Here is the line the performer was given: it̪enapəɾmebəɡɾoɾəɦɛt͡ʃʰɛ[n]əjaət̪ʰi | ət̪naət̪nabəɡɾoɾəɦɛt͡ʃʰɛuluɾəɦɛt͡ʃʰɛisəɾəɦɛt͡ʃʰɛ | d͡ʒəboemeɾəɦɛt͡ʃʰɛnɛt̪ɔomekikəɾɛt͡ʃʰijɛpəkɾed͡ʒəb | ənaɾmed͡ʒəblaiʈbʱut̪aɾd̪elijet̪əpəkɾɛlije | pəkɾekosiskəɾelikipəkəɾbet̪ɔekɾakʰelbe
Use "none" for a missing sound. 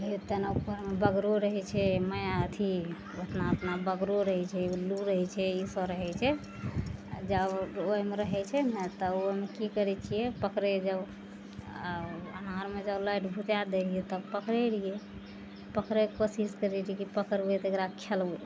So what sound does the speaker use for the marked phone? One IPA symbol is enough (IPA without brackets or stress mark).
m